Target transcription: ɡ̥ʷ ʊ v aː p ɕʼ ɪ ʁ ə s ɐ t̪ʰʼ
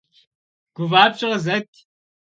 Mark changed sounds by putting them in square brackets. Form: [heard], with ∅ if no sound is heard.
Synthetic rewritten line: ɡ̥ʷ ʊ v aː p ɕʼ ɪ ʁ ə [z] ɐ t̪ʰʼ

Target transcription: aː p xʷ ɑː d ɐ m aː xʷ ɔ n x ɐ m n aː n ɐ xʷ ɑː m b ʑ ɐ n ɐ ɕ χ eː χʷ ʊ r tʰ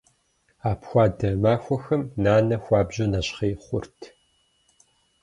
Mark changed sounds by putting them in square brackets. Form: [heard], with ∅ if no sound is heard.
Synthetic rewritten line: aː p xʷ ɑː d ɐ m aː xʷ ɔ [∅] x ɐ m n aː n ɐ xʷ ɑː [∅] b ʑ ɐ n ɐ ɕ χ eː χʷ ʊ r tʰ

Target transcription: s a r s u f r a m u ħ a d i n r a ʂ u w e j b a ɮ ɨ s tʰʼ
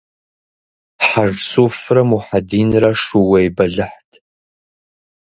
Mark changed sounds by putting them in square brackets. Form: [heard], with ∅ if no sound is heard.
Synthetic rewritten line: [ħ] a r s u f r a m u ħ a d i n r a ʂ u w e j b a ɮ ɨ [ħ] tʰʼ

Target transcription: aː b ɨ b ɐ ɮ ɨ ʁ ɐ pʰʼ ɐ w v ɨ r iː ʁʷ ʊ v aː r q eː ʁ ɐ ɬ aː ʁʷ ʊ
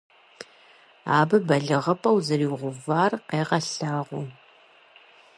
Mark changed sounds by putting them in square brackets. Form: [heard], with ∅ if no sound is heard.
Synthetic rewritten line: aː b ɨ b ɐ ɮ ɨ ʁ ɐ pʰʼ ɐ w [z] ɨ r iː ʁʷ ʊ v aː r q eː ʁ ɐ ɬ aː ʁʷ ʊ

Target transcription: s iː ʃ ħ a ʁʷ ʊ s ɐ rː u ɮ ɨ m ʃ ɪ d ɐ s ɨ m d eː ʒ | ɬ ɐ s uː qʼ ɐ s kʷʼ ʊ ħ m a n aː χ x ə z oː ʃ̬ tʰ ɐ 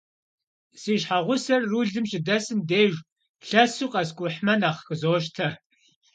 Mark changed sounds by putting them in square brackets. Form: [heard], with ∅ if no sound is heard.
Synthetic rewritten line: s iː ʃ ħ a ʁʷ ʊ s ɐ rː u ɮ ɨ m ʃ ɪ d ɐ s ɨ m d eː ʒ | ɬ ɐ s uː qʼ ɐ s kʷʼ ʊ ħ m [ɐ] n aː χ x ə z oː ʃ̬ tʰ ɐ

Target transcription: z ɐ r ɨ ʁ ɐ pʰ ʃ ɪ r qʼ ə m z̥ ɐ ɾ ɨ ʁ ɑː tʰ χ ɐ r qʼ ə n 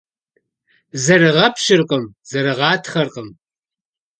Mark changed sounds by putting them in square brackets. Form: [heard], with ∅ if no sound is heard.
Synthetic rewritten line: z ɐ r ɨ ʁ ɐ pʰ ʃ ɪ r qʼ ə m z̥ ɐ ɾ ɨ ʁ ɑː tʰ χ ɐ r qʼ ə [m]

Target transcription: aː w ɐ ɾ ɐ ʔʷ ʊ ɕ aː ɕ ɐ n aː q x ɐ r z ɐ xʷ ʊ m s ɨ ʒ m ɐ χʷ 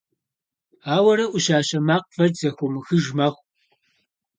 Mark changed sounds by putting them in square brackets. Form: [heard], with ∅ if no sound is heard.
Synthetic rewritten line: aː w ɐ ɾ ɐ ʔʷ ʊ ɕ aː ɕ ɐ [m] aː q [f] ɐ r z ɐ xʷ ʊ m [x] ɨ ʒ m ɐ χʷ

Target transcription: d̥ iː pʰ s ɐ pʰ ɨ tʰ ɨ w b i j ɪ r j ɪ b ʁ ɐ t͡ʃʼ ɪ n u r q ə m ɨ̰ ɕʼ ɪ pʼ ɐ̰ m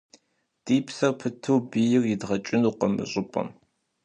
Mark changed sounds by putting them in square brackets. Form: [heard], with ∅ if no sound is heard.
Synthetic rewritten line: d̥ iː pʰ s ɐ pʰ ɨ tʰ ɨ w b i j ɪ r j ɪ [d] ʁ ɐ t͡ʃʼ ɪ n u [∅] q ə m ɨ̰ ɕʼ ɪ pʼ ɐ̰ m

